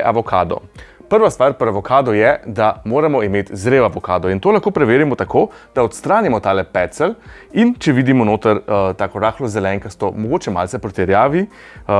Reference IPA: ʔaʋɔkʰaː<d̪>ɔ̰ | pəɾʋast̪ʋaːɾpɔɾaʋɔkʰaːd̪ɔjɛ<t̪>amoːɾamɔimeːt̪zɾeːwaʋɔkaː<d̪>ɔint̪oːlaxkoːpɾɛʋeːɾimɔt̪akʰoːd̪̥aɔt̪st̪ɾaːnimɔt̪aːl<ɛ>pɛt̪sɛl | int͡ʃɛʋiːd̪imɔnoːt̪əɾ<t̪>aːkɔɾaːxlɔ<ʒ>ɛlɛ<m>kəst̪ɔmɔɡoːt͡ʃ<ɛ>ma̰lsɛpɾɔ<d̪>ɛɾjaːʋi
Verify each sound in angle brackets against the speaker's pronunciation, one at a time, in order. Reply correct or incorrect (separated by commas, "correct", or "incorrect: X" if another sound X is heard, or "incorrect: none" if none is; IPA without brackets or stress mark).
correct, incorrect: d̪, correct, correct, correct, incorrect: z, incorrect: ŋ, correct, incorrect: t̪